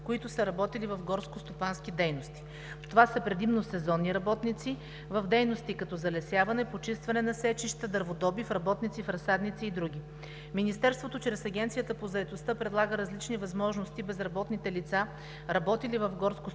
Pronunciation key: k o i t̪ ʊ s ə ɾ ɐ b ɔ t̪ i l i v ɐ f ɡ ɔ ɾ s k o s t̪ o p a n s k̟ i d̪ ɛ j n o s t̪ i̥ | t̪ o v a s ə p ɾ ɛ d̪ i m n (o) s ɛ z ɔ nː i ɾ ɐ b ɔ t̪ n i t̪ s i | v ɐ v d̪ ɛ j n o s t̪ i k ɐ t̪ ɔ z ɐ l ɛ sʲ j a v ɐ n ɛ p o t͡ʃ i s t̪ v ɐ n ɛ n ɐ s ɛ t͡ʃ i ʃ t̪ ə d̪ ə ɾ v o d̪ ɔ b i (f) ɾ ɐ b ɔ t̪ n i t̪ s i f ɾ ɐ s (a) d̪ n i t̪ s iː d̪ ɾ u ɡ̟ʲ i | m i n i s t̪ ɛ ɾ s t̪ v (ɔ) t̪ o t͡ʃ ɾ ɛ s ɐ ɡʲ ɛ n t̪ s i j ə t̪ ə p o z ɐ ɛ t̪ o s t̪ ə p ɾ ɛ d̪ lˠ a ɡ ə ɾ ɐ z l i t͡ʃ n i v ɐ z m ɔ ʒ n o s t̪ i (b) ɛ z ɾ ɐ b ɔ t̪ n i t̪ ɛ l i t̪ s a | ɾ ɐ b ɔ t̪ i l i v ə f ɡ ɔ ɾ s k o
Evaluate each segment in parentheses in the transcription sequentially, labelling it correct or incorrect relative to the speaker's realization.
correct, correct, correct, incorrect: o, correct

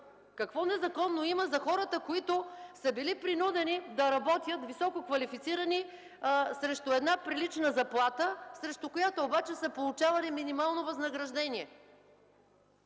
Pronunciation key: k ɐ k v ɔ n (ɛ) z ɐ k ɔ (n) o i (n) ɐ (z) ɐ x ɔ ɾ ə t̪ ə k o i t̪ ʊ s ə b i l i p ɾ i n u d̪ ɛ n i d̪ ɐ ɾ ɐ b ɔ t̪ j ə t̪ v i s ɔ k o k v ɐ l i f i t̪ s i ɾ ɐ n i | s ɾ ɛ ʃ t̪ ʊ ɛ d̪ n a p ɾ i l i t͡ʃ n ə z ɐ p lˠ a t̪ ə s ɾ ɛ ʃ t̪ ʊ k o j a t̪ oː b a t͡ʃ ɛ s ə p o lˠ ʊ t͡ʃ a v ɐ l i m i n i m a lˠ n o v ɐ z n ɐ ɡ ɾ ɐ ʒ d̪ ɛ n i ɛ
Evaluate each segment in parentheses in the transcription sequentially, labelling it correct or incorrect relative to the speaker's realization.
correct, incorrect: nː, incorrect: m, correct

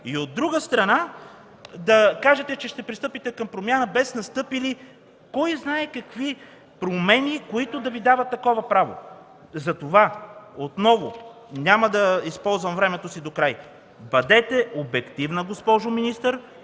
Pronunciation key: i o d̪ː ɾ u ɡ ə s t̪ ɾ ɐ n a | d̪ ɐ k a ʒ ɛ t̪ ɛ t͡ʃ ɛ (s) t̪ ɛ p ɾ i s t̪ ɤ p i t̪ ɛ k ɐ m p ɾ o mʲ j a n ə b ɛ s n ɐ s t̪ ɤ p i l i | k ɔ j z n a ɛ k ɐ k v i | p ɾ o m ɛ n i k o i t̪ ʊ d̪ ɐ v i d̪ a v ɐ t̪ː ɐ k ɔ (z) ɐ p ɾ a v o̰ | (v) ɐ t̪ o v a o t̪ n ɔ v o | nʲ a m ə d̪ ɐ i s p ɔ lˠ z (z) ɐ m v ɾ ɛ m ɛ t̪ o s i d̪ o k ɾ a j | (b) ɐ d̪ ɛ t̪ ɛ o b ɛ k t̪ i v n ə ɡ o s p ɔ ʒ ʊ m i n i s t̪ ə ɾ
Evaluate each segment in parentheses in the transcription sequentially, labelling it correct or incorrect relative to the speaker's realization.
incorrect: ʃ, incorrect: v, incorrect: z, incorrect: v, correct

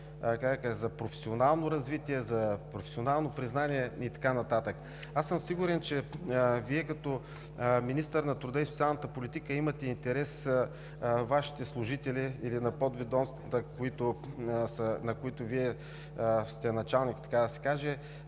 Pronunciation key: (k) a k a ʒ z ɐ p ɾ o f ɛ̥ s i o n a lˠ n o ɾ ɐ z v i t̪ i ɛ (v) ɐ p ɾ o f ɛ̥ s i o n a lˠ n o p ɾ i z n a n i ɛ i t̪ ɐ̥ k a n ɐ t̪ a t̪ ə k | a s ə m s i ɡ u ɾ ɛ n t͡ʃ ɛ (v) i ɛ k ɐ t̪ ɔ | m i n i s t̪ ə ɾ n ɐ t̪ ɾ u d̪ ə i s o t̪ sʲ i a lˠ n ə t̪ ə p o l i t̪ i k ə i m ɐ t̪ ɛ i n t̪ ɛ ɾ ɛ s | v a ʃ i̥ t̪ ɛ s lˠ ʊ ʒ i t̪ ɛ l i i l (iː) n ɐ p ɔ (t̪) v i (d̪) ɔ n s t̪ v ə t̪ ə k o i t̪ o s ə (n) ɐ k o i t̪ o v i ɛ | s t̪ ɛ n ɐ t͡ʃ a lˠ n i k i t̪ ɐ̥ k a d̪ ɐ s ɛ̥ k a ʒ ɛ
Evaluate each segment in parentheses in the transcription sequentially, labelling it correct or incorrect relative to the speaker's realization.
correct, incorrect: z, correct, incorrect: i, incorrect: d̪, correct, correct

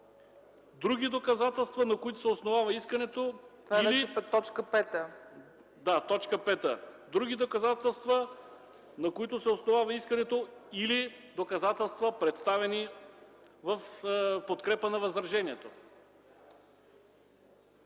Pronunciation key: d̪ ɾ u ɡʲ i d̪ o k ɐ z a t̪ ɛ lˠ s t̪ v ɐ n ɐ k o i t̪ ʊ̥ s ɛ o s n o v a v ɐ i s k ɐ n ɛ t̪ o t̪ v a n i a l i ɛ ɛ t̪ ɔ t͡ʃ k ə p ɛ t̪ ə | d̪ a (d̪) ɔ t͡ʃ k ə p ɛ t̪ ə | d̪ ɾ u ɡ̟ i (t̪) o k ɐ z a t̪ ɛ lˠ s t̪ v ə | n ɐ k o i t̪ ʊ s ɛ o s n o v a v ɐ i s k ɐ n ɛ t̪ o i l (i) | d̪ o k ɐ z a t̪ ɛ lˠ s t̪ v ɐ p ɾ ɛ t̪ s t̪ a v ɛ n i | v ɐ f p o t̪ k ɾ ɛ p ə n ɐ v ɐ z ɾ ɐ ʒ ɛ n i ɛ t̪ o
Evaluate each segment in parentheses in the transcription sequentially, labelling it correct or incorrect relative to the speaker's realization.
incorrect: t̪, incorrect: d̪, correct

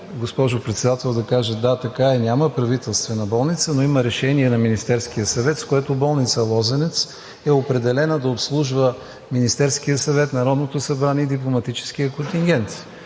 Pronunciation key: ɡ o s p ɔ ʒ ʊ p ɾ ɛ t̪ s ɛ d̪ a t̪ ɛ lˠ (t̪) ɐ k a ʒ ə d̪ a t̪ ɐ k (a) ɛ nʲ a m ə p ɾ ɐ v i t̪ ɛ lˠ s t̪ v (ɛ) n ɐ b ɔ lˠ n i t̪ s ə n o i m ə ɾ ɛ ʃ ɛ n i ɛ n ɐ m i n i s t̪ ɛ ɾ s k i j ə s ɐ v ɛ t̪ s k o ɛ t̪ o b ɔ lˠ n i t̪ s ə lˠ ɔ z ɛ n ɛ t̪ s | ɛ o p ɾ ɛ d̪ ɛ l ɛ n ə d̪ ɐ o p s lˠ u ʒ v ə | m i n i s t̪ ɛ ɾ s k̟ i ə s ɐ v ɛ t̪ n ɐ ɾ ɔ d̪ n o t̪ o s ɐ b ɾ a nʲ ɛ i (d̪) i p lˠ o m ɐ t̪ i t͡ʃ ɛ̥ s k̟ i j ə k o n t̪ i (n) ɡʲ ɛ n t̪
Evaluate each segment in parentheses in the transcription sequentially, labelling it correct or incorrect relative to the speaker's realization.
incorrect: d̪, correct, correct, correct, incorrect: ŋ

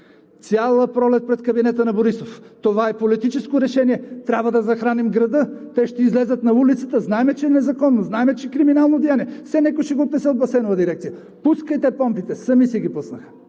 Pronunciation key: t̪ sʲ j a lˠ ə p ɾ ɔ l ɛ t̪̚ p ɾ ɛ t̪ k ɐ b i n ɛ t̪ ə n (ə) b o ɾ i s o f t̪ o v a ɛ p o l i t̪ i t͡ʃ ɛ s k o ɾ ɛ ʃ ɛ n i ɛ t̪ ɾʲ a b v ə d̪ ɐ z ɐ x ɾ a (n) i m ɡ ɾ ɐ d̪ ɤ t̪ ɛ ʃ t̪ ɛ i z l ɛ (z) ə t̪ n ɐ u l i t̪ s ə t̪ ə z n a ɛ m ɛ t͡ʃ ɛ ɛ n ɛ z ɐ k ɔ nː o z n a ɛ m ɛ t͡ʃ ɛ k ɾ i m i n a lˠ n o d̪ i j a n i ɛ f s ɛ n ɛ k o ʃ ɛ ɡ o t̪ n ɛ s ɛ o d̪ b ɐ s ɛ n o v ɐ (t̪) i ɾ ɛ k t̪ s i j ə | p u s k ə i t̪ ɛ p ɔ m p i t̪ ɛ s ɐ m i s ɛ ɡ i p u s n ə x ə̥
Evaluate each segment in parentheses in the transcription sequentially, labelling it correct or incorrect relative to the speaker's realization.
incorrect: ɐ, correct, correct, incorrect: d̪

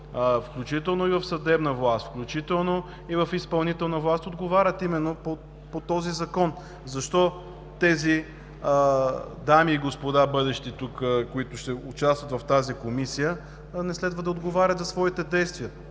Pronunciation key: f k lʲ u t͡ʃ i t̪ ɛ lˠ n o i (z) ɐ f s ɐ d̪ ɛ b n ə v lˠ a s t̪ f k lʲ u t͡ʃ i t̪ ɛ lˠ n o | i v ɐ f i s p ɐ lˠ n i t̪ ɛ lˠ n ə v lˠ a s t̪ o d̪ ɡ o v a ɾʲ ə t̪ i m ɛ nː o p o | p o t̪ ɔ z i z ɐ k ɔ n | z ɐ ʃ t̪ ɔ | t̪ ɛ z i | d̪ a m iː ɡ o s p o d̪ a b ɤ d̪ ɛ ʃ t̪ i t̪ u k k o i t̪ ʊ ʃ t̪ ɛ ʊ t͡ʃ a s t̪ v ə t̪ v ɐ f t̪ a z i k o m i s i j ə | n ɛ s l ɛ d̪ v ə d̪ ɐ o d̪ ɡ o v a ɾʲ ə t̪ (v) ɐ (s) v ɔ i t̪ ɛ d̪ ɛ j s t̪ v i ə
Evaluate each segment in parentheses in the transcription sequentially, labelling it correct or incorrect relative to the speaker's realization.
incorrect: v, incorrect: z, correct

